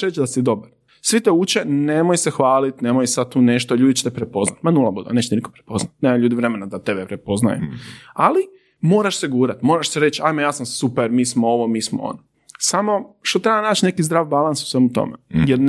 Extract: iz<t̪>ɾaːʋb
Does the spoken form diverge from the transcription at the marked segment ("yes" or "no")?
yes